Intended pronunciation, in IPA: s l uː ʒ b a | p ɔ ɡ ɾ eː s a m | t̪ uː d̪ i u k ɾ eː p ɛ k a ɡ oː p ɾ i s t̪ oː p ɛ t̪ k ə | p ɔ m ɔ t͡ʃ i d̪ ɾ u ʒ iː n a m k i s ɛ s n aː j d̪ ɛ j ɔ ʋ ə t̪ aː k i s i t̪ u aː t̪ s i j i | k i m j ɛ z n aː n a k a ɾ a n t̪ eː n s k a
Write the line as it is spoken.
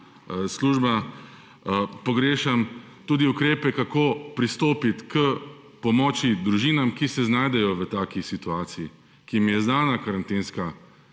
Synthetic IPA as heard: s l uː ʒ b a | p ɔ ɡ ɾ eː ʃ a m | t̪ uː d̪ i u k ɾ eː p ɛ k a k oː p ɾ i s t̪ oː p i t̪ k ə | p ɔ m ɔ t͡ʃ i d̪ ɾ u ʒ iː n a m k i s ɛ z n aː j d̪ ɛ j ɔ ʋ ə t̪ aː k i s i t̪ u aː t̪ s i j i | k i m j ɛ z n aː n a k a ɾ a n t̪ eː n s k a

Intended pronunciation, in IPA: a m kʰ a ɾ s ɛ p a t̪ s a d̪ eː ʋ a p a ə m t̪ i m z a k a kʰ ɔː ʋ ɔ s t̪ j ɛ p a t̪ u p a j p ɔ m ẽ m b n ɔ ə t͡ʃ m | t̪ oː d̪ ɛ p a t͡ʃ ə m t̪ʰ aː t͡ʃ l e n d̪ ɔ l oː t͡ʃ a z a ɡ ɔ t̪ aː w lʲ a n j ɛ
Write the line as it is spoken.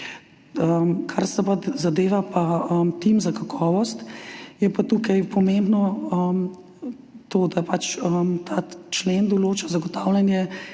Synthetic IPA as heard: ə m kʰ a ɾ s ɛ p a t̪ z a d̪ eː ʋ a p a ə m t̪ i m z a k a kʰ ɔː ʋ ɔ s t̪ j ɛ p a t̪ u k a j p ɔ m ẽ m b n ɔ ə m | t̪ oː d̪ a p a t͡ʃ ə m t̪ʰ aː t͡ʃ l e n d̪ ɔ l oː t͡ʃ a z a ɡ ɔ t̪ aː w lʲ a n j ɛ

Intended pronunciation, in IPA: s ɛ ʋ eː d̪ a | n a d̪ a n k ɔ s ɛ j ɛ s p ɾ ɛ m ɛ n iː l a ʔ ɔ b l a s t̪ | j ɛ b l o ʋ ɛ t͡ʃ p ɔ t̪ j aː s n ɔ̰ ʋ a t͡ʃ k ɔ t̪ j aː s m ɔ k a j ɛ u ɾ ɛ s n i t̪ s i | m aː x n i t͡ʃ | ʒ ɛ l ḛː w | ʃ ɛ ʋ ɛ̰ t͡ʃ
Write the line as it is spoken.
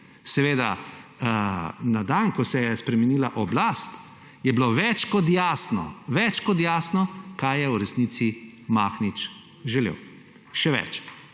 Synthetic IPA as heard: s ɛ ʋ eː d̪ a | n a d̪ a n k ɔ s ɛ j ɛ s p ɾ ɛ m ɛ n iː l a ʔ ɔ b l a s t̪ | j ɛ b l o ʋ ɛ t͡ʃ k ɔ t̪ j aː s n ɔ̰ ʋ ɛ t͡ʃ k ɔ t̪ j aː s n ɔ k a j ɛ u ɾ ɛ s n i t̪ s i | m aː x n i t͡ʃ | ʒ ɛ l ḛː w | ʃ ɛ ʋ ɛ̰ t͡ʃ

